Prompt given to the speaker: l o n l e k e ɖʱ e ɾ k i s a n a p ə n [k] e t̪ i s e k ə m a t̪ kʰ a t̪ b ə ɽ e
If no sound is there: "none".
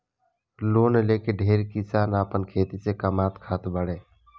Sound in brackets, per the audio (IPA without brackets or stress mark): kʰ